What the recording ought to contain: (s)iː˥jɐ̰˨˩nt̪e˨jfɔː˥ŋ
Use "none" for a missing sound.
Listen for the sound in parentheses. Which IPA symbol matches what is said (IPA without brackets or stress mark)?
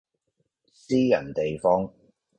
s